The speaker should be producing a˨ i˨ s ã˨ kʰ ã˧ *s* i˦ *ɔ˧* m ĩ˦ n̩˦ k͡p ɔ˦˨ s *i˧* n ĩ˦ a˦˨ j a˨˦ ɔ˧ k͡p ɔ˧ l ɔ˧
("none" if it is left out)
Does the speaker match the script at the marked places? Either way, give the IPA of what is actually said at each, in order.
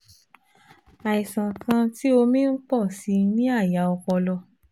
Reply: t, o˧, i˧

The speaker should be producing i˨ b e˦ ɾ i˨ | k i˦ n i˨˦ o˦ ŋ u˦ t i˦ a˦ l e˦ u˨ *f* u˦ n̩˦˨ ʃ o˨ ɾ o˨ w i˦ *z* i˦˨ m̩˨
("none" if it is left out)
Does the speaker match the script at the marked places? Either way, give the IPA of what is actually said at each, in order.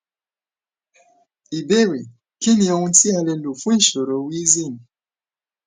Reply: f, z

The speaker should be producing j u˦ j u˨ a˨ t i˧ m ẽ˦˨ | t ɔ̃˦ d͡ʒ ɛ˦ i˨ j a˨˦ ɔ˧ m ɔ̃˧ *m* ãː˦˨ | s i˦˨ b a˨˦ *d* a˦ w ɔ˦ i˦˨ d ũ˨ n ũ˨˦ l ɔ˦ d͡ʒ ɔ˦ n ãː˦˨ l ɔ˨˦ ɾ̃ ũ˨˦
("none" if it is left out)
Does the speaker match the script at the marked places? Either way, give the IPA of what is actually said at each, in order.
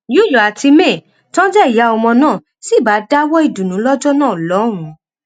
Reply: n, d

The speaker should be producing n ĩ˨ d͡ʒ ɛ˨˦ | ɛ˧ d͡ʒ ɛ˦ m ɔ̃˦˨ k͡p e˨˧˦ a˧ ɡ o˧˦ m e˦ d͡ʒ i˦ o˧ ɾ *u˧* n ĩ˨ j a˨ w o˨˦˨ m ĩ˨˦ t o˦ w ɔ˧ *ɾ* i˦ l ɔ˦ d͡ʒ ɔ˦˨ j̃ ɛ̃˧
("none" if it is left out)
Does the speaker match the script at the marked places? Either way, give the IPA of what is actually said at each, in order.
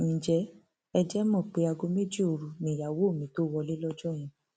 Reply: u˧, l

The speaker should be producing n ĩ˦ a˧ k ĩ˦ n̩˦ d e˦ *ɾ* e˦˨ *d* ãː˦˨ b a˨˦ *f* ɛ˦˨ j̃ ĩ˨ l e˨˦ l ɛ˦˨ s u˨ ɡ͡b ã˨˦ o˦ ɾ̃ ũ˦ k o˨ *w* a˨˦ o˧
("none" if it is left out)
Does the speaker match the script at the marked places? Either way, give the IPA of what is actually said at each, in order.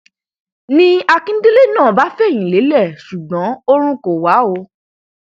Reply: l, n, f, w

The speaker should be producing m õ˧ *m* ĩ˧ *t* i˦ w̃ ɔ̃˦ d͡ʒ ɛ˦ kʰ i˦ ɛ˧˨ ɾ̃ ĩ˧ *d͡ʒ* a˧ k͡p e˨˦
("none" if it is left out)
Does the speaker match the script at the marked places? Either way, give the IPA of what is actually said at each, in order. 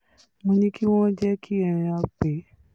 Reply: n, k, none

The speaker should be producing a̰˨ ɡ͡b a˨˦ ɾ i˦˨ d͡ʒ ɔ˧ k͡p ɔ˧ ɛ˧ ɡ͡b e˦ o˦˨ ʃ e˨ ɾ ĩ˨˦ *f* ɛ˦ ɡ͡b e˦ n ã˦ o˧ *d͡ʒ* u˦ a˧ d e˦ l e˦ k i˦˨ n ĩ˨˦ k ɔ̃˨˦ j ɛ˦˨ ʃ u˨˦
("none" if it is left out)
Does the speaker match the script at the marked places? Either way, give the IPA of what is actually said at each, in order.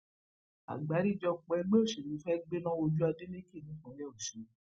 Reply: f, d͡ʒ

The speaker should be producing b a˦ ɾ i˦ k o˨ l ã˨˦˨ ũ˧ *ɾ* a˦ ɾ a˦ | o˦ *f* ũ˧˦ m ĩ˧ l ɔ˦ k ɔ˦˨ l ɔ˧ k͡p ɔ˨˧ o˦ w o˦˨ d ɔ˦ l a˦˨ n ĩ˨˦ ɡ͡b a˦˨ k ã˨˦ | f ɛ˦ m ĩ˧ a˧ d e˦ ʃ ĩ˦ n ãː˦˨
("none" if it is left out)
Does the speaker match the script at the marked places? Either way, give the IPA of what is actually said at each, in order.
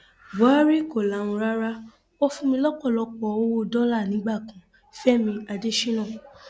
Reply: ɾ, f

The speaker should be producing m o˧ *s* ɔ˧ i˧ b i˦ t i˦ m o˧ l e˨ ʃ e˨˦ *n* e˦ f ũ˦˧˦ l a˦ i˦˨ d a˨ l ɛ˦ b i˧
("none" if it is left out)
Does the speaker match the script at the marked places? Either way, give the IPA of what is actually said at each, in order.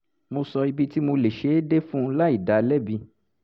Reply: s, d

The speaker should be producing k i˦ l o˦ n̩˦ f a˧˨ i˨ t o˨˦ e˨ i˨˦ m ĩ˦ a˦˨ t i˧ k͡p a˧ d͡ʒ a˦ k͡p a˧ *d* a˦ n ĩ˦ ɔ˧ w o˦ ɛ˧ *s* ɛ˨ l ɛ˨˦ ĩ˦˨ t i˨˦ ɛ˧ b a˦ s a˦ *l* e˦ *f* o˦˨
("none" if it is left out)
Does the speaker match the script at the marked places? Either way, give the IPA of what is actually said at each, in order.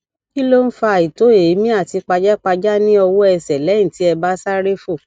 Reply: d͡ʒ, s, ɾ, f

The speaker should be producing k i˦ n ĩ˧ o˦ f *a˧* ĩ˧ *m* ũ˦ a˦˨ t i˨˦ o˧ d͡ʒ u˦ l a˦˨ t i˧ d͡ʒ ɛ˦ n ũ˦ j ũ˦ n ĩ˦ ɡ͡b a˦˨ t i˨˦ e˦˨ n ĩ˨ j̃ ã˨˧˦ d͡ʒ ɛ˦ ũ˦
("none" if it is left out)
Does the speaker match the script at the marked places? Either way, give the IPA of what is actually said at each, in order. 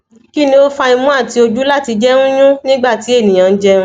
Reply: a˧, m

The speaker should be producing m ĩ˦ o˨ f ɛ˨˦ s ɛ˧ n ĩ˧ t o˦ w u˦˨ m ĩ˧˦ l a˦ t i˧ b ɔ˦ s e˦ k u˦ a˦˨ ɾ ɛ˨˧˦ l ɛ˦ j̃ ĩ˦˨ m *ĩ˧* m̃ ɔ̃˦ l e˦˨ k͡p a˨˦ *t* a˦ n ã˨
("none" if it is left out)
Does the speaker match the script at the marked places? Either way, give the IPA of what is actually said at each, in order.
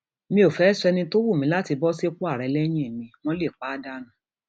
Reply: ĩ˧, d

